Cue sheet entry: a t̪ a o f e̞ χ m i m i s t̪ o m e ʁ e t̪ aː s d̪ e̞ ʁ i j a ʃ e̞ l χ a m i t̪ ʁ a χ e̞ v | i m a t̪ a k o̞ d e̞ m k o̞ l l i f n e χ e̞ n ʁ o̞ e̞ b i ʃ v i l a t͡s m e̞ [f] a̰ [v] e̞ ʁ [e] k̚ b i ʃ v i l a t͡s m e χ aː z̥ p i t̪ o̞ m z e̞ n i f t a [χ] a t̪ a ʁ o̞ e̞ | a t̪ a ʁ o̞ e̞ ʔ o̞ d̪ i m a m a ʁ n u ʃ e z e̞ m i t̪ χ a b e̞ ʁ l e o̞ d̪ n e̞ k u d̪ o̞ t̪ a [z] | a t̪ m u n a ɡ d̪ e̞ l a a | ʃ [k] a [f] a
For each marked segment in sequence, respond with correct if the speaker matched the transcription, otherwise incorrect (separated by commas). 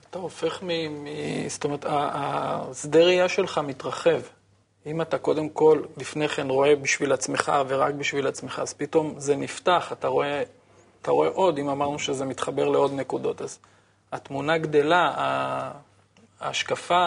incorrect, correct, incorrect, correct, correct, correct, correct